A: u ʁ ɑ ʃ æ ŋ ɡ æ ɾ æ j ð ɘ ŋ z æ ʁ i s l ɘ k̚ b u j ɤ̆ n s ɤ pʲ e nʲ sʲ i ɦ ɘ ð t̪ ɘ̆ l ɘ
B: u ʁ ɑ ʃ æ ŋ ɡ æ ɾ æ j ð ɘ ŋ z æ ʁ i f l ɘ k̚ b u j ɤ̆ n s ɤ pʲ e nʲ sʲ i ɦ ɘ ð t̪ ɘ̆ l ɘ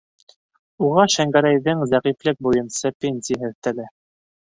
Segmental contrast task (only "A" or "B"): B